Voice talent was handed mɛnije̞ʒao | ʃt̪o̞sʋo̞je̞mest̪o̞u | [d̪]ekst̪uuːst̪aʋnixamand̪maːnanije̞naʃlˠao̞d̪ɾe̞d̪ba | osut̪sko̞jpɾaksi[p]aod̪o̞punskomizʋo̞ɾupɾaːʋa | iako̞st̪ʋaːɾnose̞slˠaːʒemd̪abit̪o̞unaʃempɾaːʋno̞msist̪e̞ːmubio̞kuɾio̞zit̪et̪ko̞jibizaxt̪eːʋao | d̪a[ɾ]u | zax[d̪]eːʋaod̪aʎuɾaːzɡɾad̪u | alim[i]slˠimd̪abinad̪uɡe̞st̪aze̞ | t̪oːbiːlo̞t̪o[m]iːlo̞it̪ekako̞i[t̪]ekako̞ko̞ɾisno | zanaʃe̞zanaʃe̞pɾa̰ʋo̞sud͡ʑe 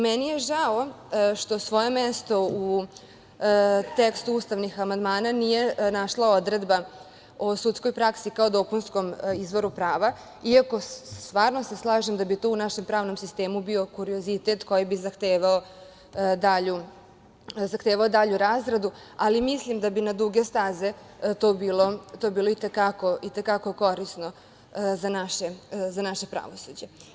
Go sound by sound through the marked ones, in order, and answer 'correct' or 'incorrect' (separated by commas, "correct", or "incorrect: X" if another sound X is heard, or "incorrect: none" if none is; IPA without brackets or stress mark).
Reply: incorrect: t̪, incorrect: k, incorrect: ʎ, incorrect: t̪, correct, incorrect: b, correct